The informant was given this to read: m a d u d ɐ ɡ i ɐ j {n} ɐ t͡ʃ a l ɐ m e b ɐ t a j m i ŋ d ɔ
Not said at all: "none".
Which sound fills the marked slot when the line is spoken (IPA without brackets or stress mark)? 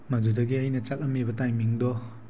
n